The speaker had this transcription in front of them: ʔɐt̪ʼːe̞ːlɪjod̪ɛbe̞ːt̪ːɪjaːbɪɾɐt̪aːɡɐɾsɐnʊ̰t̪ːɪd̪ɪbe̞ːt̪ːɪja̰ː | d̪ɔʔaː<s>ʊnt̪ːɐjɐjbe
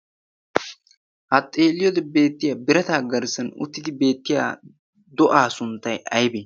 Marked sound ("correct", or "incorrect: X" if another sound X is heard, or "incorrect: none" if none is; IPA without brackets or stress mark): correct